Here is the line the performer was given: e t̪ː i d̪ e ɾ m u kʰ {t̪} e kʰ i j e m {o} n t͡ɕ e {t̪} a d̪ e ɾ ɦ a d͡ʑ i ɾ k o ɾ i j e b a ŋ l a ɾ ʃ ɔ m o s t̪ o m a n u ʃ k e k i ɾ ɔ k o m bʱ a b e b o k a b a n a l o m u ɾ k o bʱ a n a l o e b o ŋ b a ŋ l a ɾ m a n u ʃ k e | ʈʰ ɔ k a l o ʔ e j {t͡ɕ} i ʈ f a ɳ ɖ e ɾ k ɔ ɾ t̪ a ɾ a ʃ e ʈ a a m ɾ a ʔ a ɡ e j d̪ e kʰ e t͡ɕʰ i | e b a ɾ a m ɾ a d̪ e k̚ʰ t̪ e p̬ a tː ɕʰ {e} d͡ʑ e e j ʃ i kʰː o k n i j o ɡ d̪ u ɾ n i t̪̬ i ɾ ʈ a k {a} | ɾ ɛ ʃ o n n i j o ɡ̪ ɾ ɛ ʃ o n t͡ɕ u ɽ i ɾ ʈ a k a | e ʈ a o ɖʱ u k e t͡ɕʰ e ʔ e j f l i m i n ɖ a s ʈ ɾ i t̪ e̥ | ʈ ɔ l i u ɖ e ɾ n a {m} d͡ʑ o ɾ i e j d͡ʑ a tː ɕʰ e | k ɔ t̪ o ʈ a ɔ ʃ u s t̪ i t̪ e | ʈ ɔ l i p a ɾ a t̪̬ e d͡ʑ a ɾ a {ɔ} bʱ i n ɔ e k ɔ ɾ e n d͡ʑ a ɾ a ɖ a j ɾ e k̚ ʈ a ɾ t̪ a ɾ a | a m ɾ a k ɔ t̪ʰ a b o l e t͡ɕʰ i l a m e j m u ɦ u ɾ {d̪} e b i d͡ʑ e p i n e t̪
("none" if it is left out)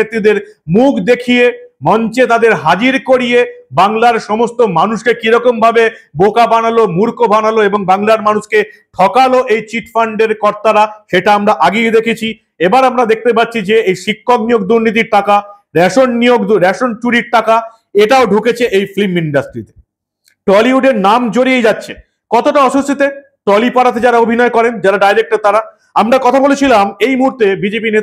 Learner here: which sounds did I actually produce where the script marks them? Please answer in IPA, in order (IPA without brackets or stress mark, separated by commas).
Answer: d̪, ɔ, t̪, t͡ɕ, i, a, m, o, t̪